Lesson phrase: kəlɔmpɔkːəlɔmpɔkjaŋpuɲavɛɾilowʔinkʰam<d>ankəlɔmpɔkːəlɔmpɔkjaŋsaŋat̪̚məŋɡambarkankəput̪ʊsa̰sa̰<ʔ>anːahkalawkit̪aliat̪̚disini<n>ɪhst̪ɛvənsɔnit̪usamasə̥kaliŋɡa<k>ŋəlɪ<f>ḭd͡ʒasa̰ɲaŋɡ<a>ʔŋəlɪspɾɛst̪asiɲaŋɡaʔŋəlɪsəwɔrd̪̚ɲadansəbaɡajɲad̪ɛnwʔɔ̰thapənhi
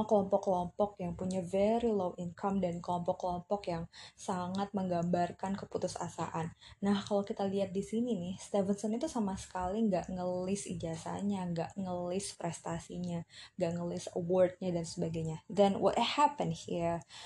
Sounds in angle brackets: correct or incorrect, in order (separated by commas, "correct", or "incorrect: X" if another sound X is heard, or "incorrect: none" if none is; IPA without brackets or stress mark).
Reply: correct, correct, correct, incorrect: ʔ, incorrect: s, correct